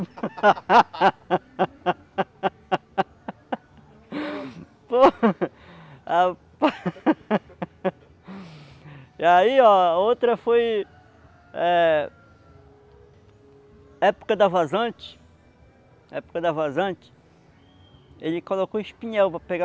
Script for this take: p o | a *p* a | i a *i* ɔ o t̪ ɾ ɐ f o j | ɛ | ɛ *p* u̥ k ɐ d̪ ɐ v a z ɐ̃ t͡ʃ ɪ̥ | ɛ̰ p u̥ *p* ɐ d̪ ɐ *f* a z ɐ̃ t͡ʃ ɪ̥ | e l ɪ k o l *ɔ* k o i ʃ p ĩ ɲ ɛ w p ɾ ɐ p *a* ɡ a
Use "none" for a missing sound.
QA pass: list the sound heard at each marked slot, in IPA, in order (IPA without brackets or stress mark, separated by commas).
p, i, p, k, v, o, e